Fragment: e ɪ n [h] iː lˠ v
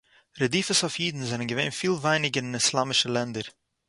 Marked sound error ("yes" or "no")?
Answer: yes